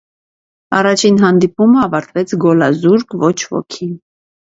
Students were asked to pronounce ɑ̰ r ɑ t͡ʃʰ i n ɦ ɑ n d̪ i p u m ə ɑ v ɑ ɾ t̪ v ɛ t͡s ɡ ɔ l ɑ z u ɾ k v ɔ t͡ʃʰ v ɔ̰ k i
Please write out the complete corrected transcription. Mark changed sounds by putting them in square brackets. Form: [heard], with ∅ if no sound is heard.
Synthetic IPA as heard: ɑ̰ r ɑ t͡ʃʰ i n ɦ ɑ n d̪ i p u m ə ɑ v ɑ ɾ t̪ v ɛ [t͡sʰ] ɡ ɔ l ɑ z u ɾ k v ɔ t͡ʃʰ v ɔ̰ [kʰ] i